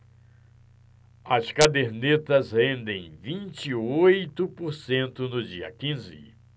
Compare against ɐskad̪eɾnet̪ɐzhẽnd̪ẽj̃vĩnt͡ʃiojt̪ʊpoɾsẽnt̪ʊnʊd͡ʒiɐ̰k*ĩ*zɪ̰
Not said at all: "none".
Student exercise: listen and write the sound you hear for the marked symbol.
ĩ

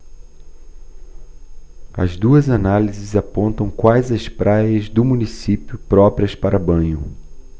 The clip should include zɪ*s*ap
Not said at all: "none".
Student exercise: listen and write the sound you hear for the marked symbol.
z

